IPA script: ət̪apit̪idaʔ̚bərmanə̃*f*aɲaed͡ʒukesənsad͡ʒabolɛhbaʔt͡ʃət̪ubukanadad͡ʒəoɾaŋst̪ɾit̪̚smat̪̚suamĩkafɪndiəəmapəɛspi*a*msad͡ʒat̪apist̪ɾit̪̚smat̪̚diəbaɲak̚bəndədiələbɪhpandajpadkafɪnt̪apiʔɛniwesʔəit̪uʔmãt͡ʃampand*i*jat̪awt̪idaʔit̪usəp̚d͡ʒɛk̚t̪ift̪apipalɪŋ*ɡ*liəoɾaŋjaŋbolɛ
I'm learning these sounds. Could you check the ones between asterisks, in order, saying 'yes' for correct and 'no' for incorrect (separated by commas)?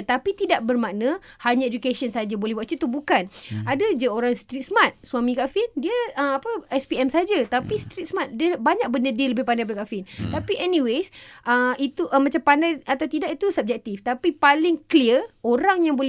no, no, no, no